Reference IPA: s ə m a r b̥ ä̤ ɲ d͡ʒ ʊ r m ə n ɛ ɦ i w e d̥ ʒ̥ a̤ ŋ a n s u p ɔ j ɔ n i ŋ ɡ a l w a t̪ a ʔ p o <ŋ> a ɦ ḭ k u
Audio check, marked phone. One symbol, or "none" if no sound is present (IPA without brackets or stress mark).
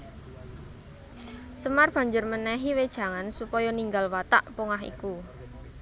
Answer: ŋ